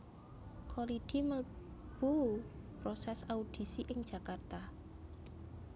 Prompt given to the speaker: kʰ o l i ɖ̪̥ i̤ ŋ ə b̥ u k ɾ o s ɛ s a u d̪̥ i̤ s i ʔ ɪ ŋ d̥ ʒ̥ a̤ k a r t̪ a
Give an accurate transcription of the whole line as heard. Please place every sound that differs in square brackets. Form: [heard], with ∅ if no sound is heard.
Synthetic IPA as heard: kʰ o l i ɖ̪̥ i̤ [m] ə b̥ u [p] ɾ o s ɛ s a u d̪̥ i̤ s i ʔ ɪ ŋ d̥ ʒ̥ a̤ k a r t̪ a